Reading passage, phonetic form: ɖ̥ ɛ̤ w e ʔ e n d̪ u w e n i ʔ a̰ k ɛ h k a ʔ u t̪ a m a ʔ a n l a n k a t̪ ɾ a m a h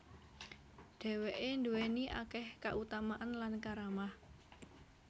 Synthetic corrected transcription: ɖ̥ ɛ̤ w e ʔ e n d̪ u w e n i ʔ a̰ k ɛ h k a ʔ u t̪ a m a ʔ a n l a n k a ɾ a m a h

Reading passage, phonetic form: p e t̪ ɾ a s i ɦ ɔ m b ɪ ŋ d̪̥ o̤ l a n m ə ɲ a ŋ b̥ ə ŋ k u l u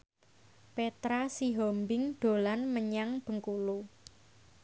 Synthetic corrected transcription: p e t̪ ɾ a s i ɦ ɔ m b ɪ ŋ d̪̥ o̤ l a n m ə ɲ a ŋ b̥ ə ŋ k u l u

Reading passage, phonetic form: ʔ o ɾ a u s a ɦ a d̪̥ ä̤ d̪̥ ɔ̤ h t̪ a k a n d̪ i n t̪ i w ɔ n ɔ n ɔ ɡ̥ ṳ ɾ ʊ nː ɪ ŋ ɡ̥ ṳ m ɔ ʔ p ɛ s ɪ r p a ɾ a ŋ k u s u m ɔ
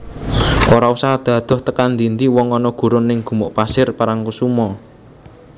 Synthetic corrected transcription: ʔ o ɾ a u s a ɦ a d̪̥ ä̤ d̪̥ ɔ̤ h t̪ ə k a n d̪ i n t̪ i w ɔ ŋ ɔ n ɔ ɡ̥ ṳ ɾ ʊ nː ɪ ŋ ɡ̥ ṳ m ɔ ʔ p a s ɪ r p a ɾ a ŋ k u s u m ɔ

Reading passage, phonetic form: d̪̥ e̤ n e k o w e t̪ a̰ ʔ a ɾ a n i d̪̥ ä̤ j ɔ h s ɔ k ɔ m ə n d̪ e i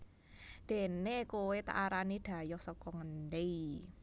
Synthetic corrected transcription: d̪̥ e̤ n e k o w e t̪ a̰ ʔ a ɾ a n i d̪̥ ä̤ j ɔ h s ɔ k ɔ ŋ ə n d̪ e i

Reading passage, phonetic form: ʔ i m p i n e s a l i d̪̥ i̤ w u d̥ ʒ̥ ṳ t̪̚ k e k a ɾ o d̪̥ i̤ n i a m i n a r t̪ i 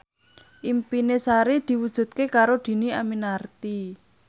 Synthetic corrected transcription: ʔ i m p i n e s a ɾ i d̪̥ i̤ w u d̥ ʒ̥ ṳ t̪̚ k e k a ɾ o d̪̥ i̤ n i a m i n a r t̪ i

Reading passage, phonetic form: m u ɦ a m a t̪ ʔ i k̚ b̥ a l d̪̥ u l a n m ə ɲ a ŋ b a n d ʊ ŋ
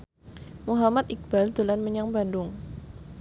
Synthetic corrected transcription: m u ɦ a m a t̪ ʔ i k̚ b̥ a l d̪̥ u l a n m ə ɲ a ŋ b a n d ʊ ŋ

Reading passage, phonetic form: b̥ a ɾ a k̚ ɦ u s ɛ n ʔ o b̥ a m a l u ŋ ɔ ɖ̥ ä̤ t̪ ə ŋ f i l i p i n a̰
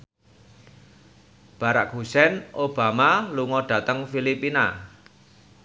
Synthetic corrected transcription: b̥ a ɾ a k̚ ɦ u s ɛ n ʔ o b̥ a m a l u ŋ ɔ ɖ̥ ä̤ t̪ ə ŋ f i l i p i n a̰

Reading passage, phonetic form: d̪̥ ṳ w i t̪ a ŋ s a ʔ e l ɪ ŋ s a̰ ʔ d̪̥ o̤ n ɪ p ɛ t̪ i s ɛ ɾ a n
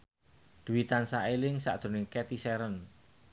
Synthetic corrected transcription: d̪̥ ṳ w i t̪ a n s a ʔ e l ɪ ŋ s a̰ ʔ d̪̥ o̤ n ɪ k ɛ t̪ i s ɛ ɾ ə n

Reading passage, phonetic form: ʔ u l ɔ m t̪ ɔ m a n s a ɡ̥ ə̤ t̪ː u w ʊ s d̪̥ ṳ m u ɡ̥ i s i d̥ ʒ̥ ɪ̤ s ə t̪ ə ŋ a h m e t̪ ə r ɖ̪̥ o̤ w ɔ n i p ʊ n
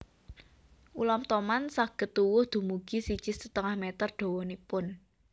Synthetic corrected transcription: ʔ u l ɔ m t̪ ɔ m a n s a ɡ̥ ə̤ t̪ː u w ʊ h d̪̥ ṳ m u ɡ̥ i s i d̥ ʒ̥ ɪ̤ s ə t̪ ə ŋ a h m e t̪ ə r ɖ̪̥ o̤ w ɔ n i p ʊ n

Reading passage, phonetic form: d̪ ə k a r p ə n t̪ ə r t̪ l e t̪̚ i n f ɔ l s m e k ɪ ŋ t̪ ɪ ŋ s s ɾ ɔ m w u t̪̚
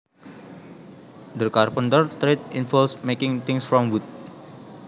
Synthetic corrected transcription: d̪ ə k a r p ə n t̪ ə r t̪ ɾ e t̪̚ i n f ɔ l s m e k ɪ ŋ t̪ ɪ ŋ s f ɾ ɔ m w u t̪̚

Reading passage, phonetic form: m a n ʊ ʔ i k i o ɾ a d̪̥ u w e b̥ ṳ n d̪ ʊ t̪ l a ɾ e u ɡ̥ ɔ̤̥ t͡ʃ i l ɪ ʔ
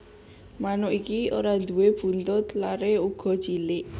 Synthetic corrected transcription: m a n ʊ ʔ i k i o ɾ a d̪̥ u w e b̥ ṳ n t̪ ʊ t̪ l a ɾ e u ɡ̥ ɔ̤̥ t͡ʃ i l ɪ ʔ

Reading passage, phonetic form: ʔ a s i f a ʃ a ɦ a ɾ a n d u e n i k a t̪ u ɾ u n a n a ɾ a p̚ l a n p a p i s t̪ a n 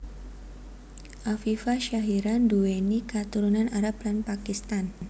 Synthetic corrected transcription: ʔ a f i f a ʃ a ɦ i ɾ a n d u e n i k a t̪ u ɾ u n a n a ɾ a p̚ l a n p a k i s t̪ a n

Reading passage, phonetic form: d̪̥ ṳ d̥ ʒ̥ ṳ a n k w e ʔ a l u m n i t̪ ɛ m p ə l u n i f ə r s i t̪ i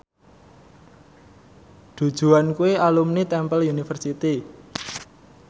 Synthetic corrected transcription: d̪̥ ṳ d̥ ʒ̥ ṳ a n k u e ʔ a l u m n i t̪ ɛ m p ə l u n i f ə r s i t̪ i

